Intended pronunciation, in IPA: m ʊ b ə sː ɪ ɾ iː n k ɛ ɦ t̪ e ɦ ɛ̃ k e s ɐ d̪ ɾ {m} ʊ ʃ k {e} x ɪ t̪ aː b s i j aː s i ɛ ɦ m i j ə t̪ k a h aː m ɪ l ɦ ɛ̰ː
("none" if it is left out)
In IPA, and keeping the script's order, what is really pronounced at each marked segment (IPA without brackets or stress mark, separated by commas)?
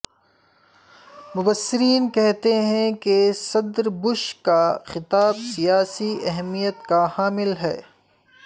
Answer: b, a